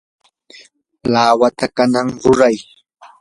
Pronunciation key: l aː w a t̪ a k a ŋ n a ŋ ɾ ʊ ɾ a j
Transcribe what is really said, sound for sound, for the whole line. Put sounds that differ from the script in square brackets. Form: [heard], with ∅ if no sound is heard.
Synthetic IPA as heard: l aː w a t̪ a k a [∅] n a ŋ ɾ ʊ ɾ a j